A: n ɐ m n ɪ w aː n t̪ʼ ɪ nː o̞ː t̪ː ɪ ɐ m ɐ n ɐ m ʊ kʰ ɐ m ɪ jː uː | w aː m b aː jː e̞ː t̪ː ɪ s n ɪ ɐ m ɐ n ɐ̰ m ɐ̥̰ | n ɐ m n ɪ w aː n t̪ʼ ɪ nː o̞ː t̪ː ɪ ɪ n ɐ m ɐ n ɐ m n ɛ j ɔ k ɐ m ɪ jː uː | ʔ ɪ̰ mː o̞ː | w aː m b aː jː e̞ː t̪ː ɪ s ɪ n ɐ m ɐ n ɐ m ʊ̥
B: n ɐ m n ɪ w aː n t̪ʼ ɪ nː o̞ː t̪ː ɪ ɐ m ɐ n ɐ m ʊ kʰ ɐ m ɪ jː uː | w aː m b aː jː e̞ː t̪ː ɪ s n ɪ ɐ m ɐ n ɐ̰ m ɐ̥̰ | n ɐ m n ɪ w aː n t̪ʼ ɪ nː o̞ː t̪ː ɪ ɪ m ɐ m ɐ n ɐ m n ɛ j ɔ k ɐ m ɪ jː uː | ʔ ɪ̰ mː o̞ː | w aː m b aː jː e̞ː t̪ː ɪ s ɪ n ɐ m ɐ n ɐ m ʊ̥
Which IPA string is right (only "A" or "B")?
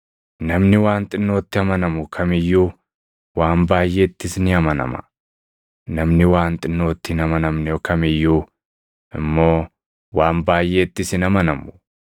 A